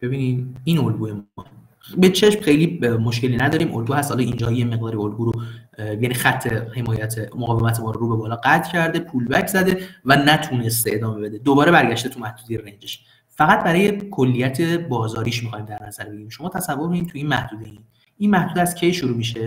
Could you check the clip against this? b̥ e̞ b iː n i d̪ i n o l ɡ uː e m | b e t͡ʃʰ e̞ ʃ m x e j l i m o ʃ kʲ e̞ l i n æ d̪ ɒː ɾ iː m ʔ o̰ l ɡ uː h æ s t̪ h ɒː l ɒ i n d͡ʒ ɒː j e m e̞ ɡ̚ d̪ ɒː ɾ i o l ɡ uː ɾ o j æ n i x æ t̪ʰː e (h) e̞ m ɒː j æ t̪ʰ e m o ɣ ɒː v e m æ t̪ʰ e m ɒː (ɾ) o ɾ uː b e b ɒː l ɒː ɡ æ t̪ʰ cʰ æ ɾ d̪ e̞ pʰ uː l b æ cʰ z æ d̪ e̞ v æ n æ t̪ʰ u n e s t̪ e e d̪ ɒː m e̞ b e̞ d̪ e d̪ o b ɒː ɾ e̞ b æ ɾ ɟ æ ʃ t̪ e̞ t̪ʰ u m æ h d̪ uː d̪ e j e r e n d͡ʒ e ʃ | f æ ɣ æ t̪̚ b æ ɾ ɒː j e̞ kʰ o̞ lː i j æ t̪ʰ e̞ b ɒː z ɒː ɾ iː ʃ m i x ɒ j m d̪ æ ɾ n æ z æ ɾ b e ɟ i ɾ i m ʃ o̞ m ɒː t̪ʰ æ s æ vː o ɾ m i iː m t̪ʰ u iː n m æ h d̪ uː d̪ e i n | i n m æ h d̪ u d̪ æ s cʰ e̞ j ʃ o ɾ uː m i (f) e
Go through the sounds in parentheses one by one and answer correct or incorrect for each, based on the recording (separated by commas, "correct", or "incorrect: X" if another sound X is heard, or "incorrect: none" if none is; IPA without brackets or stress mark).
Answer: correct, correct, incorrect: ʃ